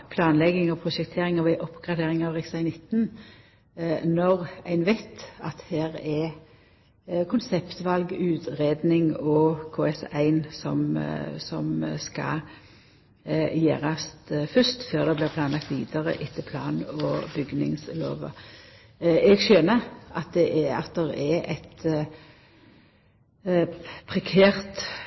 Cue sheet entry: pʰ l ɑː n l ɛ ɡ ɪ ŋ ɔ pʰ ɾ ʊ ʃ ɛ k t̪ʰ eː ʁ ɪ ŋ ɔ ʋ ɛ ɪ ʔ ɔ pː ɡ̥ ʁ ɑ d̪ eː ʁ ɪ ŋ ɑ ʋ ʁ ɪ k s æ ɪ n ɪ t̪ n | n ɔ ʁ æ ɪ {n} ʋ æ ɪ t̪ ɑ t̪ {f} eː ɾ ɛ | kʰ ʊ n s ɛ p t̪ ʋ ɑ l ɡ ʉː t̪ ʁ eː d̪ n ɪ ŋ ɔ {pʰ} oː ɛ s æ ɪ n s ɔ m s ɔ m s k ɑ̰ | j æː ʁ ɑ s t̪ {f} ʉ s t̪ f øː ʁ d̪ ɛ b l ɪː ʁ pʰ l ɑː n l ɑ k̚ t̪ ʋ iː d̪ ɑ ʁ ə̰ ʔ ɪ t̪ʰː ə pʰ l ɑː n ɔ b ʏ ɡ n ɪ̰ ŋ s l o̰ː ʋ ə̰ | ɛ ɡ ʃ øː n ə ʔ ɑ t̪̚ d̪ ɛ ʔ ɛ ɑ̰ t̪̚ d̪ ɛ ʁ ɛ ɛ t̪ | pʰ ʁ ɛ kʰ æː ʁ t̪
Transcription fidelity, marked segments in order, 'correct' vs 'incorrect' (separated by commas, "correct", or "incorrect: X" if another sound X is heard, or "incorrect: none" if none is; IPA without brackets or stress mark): correct, incorrect: h, incorrect: kʰ, correct